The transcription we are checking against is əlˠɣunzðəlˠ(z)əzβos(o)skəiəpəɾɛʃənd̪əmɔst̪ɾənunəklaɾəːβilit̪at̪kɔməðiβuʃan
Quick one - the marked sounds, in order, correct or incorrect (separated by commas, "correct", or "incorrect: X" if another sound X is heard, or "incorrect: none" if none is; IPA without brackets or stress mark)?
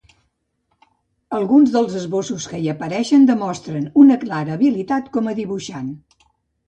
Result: correct, incorrect: u